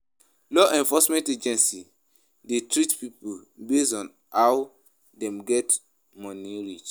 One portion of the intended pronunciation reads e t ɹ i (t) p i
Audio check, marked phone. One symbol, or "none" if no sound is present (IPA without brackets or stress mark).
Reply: t